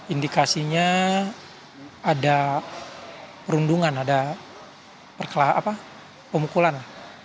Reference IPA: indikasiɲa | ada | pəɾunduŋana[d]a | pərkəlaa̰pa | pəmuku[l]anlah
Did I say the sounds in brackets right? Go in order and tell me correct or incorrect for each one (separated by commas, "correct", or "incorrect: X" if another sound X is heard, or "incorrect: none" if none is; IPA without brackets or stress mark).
correct, correct